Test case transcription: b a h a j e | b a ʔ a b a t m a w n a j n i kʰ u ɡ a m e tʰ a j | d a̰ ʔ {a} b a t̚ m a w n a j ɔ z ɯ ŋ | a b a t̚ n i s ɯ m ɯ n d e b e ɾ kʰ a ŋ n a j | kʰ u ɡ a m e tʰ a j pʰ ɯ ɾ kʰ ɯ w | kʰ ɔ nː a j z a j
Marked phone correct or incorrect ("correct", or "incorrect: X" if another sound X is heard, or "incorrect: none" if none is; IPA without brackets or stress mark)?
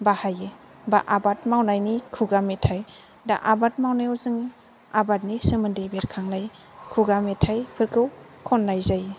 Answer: correct